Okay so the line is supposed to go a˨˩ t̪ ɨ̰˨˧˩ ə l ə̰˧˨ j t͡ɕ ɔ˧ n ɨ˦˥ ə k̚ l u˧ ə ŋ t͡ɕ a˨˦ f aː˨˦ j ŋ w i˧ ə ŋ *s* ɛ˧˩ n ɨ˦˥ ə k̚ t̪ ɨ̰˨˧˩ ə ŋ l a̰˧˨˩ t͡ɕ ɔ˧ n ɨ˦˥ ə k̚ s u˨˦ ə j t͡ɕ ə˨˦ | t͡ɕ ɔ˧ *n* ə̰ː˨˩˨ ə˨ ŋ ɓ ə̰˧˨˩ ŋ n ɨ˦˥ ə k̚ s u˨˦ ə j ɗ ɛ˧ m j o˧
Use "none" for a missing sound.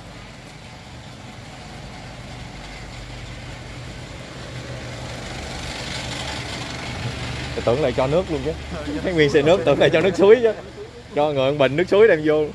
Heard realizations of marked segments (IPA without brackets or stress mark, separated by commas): s, ŋ